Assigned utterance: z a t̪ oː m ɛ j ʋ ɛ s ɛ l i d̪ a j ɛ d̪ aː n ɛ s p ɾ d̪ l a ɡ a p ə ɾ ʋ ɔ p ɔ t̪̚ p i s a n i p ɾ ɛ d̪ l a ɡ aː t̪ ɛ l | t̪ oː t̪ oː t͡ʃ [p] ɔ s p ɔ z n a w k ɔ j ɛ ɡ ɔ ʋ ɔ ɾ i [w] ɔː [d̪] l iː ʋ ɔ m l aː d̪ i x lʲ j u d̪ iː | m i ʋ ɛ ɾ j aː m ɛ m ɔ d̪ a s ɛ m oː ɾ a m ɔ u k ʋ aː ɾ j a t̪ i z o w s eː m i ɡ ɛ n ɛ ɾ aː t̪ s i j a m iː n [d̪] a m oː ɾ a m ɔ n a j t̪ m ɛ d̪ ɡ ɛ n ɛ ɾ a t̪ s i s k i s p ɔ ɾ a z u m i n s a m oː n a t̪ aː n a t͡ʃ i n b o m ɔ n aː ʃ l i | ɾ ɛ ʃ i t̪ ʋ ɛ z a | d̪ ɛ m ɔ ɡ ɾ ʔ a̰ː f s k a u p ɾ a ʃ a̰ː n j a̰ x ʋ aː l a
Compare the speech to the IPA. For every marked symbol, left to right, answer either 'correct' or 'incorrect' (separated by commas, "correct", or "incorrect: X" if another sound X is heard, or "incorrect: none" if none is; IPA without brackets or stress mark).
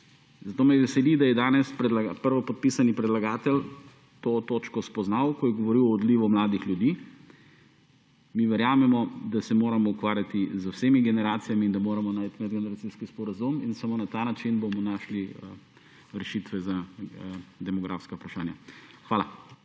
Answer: incorrect: k, correct, correct, correct